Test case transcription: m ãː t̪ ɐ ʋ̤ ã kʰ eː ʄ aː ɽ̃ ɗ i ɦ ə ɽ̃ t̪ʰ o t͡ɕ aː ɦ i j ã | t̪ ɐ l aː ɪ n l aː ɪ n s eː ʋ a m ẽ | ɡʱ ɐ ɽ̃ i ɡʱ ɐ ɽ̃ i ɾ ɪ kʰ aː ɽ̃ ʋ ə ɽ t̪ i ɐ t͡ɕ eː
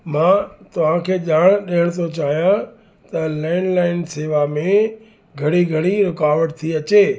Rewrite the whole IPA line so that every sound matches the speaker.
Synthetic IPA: m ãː t̪ ɐ ʋ̤ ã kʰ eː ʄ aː ɽ̃ ɗ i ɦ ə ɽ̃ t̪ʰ o t͡ɕ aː ɦ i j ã | t̪ ɐ l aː ɪ n l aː ɪ n s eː ʋ a m ẽ | ɡʱ ɐ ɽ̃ i ɡʱ ɐ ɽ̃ i ɾ ɪ k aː ʋ ə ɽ t̪ʰ i ɐ t͡ɕ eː